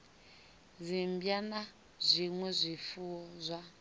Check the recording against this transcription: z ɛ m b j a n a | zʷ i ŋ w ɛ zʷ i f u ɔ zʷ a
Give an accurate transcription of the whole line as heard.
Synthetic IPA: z i m b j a n a | zʷ i ŋ w ɛ zʷ i f u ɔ zʷ a